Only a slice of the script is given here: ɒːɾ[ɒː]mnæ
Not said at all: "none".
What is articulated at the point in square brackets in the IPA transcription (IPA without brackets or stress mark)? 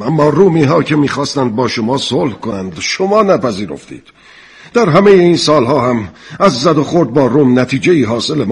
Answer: uː